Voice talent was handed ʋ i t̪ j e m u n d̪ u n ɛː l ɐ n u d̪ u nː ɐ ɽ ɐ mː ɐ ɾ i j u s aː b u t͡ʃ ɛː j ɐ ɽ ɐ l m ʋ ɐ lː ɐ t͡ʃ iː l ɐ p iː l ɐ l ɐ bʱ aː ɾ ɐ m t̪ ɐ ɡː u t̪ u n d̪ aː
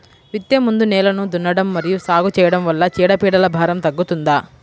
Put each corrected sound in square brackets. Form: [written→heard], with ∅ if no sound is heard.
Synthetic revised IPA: ʋ i t̪ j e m u n d̪ u n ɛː l ɐ n u d̪ u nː ɐ ɽ ɐ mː ɐ ɾ i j u s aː [b→ɡ] u t͡ʃ ɛː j ɐ ɽ ɐ [l→∅] m ʋ ɐ lː ɐ t͡ʃ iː [l→ɽ] ɐ p iː [l→ɽ] ɐ l ɐ bʱ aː ɾ ɐ m t̪ ɐ ɡː u t̪ u n d̪ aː